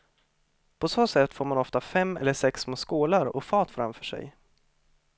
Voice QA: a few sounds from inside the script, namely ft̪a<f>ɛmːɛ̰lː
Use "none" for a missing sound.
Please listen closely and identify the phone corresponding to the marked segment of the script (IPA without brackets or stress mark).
f